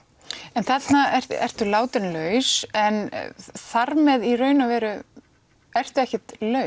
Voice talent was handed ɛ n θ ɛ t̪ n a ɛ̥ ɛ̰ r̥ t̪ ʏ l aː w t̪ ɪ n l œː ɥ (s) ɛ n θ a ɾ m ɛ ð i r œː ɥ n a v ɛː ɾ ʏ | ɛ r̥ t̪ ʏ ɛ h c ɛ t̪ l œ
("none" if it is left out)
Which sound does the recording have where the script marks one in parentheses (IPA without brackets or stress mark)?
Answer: s